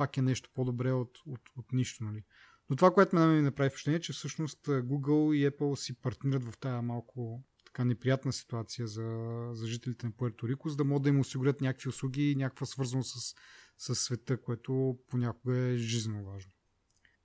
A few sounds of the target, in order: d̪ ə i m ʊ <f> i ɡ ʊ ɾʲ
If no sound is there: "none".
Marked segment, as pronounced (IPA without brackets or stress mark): s